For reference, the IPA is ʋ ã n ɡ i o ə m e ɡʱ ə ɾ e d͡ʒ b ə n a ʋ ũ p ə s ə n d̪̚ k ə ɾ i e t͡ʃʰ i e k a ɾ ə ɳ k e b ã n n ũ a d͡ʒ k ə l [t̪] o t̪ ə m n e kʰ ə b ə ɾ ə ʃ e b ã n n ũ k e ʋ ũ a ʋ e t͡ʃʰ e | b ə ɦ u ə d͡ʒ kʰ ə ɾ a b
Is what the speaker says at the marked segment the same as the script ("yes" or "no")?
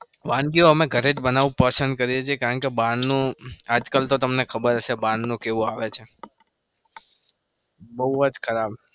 yes